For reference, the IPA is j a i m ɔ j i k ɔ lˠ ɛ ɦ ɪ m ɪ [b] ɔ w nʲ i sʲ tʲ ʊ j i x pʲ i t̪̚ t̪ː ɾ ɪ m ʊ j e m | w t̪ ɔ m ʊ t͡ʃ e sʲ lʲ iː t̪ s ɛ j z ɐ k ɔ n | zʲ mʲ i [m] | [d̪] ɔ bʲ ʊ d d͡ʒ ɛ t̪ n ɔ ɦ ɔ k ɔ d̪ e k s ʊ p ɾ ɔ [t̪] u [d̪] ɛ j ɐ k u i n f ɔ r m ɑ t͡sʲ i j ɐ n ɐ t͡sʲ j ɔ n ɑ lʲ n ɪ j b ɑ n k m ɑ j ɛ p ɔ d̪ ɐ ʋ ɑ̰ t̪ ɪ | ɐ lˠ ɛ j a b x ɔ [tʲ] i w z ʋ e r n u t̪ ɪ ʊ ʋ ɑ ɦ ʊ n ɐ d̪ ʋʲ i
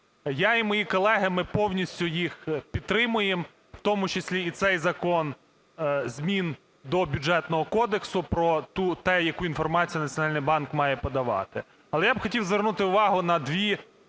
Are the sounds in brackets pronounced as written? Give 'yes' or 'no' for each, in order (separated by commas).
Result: no, no, yes, yes, no, yes